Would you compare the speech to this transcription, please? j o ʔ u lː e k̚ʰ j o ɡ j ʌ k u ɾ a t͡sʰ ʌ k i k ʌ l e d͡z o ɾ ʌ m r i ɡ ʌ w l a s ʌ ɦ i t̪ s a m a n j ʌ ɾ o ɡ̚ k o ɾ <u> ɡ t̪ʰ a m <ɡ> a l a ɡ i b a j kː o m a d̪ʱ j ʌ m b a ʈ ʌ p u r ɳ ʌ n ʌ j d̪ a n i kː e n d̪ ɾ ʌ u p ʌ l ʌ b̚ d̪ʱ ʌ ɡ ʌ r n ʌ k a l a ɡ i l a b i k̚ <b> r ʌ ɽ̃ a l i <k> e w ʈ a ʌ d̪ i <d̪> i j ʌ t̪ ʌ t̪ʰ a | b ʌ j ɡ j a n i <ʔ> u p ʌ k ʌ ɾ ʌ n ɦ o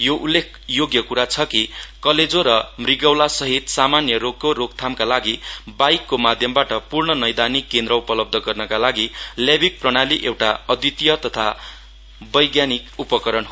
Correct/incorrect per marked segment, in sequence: incorrect: o, incorrect: k, incorrect: p, incorrect: ʔ, incorrect: t̪, incorrect: k

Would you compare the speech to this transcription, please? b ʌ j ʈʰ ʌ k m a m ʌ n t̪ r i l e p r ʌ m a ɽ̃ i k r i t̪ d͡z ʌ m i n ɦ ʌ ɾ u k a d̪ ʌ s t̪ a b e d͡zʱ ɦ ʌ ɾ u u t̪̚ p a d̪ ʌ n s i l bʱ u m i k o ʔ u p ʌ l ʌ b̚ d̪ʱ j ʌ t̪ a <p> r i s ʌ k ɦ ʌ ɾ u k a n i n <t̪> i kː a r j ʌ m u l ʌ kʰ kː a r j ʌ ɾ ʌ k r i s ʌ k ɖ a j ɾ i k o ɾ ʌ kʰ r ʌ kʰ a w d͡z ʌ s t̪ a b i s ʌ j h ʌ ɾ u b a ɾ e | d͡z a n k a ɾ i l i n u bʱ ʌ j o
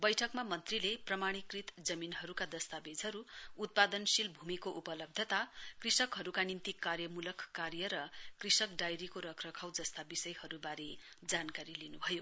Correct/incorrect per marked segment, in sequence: incorrect: k, correct

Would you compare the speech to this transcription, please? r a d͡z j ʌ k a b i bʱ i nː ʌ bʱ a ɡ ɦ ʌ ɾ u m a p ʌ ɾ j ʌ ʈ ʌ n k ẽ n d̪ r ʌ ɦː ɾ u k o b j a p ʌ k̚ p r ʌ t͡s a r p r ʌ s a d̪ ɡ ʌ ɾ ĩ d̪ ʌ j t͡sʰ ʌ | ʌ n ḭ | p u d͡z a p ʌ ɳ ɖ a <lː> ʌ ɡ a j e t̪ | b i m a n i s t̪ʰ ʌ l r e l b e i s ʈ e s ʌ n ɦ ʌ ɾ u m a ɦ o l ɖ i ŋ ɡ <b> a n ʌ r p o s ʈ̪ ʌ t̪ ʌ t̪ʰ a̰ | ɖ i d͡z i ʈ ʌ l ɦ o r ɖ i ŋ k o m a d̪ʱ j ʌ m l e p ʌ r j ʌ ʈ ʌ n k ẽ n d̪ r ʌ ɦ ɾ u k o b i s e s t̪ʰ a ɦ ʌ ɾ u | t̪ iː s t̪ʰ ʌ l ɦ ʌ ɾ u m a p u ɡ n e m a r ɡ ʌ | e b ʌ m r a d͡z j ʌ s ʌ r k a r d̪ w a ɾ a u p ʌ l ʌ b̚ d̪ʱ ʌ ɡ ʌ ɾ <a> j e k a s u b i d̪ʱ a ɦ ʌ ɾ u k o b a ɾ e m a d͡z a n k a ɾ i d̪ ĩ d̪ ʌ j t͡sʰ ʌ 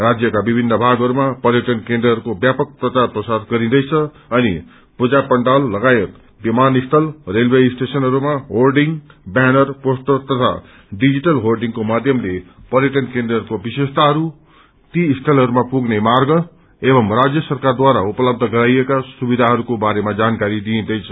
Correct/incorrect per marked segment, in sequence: correct, correct, correct

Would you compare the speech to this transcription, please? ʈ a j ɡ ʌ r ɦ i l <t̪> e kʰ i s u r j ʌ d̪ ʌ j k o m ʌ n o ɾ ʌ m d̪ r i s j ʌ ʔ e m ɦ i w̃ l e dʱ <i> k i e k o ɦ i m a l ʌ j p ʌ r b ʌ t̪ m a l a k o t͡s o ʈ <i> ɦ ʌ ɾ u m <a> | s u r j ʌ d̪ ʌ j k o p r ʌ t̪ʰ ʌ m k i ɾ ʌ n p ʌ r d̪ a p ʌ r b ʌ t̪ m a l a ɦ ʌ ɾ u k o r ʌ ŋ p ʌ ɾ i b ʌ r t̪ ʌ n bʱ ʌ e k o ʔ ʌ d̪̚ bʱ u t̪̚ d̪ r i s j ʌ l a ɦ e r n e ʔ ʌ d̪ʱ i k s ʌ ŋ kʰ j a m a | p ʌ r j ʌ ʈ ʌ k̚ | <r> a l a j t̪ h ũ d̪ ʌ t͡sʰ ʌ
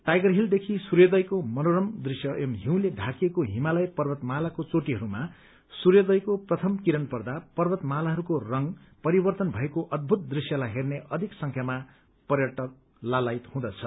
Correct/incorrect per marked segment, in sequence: incorrect: d̪, incorrect: a, correct, correct, incorrect: l

